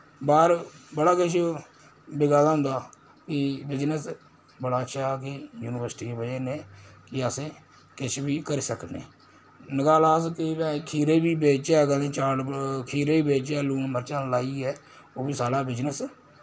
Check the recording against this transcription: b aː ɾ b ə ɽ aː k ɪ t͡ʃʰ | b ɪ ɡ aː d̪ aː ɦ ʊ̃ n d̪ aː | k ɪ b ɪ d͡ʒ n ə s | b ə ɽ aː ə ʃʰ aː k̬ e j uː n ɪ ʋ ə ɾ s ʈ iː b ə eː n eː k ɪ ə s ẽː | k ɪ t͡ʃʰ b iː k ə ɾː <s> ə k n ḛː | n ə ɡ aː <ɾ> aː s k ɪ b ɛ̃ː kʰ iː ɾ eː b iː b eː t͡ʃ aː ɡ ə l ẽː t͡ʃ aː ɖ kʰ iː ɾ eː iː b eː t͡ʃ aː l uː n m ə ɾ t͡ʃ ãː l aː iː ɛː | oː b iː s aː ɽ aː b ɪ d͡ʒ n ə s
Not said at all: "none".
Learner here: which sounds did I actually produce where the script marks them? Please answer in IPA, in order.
s, l

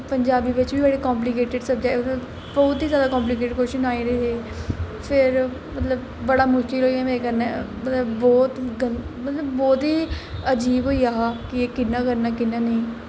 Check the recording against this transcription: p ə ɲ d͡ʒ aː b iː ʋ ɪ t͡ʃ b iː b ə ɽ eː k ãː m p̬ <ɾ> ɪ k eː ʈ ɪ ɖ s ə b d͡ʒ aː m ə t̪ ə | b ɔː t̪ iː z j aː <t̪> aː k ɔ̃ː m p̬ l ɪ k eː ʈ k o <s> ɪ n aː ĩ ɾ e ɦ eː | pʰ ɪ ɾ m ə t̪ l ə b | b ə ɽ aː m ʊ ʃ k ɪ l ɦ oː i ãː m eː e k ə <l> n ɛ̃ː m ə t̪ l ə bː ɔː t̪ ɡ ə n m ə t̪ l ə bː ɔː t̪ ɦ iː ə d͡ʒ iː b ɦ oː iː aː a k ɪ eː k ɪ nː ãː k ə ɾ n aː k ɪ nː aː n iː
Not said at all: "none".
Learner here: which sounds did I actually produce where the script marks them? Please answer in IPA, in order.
l, d̪, ʃ, ɾ

